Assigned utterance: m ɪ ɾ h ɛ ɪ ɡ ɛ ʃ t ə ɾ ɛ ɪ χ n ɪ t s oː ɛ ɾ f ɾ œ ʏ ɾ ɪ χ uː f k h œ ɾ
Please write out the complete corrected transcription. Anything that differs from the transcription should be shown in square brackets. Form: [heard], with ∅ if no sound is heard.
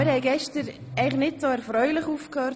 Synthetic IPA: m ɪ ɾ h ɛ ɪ ɡ ɛ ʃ t ə ɾ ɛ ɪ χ n ɪ t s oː ɛ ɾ f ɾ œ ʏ [l] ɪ χ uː f k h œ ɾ